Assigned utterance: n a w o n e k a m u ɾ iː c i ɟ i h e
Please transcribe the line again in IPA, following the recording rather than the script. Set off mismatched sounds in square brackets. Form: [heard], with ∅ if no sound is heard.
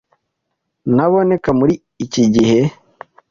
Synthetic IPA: n a [β] o n e k a m u ɾ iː c i ɟ i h e